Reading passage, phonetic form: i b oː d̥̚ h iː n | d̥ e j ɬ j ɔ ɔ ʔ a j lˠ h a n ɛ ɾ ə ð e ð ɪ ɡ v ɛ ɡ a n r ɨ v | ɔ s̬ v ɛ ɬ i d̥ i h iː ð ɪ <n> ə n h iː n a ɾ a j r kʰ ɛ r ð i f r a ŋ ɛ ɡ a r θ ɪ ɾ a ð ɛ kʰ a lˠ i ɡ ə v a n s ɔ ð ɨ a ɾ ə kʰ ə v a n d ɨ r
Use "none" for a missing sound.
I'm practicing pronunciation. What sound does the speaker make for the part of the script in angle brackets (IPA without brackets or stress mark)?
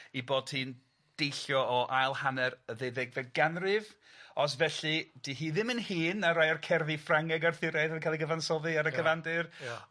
m